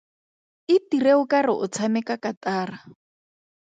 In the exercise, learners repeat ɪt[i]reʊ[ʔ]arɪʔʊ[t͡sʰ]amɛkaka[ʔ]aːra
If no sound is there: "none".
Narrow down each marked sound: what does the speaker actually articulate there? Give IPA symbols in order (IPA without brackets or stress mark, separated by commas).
i, k, t͡sʰ, t